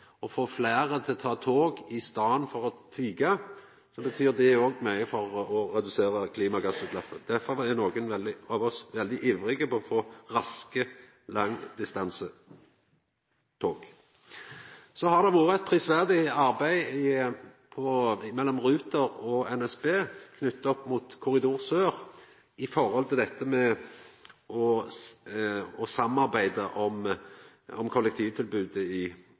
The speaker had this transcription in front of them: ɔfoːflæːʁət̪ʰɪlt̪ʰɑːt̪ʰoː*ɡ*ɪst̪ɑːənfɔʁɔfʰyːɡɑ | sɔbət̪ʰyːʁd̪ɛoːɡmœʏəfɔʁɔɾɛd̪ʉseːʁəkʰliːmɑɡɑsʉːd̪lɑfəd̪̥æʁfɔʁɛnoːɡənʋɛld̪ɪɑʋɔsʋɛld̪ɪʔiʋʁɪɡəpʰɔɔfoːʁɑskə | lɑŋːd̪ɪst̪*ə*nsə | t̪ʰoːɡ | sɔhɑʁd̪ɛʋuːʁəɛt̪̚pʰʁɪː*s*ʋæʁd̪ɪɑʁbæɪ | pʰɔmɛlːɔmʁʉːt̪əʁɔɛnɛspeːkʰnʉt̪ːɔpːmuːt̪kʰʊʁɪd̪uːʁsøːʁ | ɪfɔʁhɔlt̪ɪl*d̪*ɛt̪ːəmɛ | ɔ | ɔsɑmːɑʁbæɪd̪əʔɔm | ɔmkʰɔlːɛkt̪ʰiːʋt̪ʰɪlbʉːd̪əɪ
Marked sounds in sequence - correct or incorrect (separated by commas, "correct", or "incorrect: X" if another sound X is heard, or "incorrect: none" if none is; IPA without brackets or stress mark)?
correct, incorrect: ɑ, correct, correct